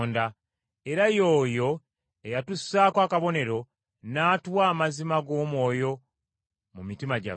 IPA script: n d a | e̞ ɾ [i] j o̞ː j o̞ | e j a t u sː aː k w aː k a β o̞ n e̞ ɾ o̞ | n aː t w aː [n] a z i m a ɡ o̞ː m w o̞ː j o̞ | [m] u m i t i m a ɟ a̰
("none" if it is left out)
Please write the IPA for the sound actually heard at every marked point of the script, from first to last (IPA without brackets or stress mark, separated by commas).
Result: a, m, m